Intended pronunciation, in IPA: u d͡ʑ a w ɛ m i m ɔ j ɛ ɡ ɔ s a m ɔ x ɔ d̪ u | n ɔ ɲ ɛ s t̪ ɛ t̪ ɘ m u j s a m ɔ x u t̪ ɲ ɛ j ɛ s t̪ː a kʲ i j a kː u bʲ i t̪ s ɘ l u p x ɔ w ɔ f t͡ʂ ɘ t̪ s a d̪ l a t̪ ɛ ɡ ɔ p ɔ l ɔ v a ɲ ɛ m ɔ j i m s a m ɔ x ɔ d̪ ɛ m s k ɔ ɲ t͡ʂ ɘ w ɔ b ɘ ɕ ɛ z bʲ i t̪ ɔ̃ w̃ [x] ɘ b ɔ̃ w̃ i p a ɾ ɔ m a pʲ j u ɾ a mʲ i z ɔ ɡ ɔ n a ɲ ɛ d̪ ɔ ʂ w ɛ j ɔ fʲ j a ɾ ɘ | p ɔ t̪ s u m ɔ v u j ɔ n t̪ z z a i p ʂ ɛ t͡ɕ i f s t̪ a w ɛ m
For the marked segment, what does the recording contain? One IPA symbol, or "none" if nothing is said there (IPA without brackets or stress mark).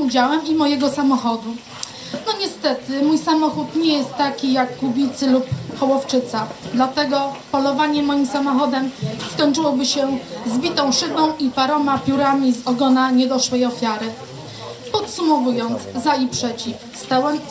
ʂ